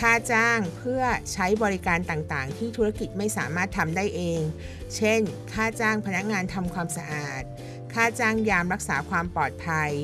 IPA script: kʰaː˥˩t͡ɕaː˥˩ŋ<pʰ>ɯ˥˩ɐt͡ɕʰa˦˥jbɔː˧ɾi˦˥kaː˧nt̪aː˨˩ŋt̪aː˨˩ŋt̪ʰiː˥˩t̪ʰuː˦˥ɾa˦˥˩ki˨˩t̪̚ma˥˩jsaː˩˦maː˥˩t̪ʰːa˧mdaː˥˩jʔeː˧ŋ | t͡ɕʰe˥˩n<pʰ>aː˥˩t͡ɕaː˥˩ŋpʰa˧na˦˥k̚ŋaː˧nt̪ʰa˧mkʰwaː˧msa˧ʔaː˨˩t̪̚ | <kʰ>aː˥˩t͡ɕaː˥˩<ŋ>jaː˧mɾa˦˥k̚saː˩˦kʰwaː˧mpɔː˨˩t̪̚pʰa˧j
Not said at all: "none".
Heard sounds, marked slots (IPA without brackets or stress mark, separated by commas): pʰ, kʰ, kʰ, ŋ